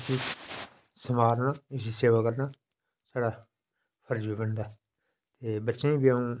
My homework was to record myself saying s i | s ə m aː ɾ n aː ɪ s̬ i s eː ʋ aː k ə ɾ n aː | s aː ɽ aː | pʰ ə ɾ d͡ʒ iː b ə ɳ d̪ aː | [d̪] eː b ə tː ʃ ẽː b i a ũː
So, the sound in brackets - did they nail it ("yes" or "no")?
no